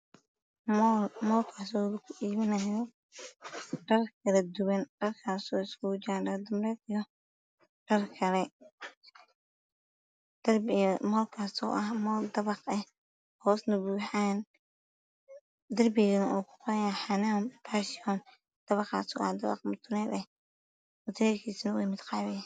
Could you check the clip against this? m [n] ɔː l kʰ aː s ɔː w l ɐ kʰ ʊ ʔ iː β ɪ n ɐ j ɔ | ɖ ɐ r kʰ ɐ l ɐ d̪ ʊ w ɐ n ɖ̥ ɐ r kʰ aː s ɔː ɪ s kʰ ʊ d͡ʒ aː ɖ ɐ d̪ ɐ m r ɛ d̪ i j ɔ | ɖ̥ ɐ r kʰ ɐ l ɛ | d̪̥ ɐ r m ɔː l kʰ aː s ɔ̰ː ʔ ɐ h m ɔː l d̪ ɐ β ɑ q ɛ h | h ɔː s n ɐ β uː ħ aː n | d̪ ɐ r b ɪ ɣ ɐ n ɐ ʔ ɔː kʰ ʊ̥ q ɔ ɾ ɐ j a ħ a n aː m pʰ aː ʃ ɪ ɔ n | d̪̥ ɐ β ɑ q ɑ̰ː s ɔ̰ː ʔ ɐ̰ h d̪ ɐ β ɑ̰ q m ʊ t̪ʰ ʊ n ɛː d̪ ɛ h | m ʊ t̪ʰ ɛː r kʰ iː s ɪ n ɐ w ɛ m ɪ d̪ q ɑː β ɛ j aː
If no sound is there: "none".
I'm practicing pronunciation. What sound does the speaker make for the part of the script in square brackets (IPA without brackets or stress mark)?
m